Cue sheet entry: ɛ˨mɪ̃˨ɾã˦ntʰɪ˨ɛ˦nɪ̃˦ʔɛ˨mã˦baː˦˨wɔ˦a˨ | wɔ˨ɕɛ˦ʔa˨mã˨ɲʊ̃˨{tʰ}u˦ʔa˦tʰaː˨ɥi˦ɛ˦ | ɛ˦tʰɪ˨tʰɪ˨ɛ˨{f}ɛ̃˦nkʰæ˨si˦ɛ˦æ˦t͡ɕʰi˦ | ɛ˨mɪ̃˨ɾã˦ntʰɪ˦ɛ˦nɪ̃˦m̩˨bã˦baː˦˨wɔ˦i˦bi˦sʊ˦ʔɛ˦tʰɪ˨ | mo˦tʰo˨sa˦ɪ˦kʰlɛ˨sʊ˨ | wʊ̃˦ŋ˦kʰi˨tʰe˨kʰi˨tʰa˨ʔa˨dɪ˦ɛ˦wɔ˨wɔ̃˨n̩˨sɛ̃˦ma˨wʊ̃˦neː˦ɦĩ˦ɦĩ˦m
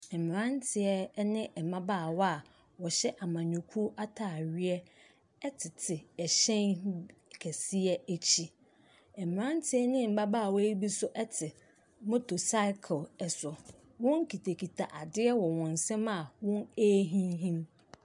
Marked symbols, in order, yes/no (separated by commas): no, no